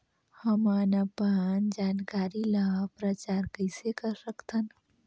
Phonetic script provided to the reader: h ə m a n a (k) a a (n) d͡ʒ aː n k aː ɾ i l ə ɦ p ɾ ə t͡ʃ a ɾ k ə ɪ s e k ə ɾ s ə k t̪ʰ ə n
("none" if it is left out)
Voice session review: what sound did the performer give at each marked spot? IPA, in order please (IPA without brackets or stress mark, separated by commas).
p, n